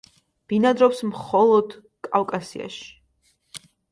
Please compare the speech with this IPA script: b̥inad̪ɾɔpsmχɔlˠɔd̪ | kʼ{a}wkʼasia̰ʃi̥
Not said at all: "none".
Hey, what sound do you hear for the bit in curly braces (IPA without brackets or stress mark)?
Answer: a